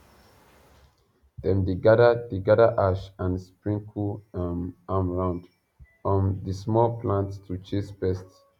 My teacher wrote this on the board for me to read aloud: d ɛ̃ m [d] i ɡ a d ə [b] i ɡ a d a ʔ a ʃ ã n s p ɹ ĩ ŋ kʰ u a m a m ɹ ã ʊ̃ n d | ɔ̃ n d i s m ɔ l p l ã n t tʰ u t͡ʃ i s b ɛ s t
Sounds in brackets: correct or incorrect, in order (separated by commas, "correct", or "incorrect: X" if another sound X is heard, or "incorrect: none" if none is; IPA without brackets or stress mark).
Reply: correct, incorrect: d